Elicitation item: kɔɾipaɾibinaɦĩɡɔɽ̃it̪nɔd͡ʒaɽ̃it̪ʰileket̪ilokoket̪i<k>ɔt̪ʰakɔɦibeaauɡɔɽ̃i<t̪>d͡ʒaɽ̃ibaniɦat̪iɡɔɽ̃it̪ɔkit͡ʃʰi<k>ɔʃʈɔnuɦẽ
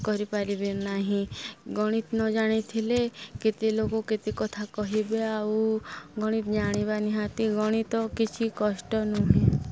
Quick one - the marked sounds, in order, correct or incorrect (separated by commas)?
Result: correct, correct, correct